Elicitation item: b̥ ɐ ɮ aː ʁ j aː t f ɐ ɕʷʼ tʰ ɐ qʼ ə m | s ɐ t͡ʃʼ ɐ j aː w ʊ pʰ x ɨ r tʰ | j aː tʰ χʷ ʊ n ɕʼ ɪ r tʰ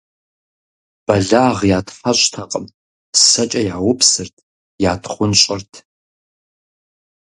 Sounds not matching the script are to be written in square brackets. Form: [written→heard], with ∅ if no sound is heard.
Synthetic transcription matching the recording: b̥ ɐ ɮ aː ʁ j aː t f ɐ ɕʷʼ tʰ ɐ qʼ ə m | s ɐ t͡ʃʼ ɐ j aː w ʊ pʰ [x→s] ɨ r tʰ | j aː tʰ χʷ ʊ n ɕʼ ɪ r tʰ